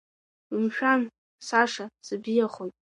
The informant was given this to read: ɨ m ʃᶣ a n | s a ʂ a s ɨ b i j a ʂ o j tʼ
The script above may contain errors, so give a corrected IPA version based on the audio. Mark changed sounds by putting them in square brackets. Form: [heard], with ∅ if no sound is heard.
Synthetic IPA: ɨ m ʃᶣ a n | s a ʂ a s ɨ b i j a [χ] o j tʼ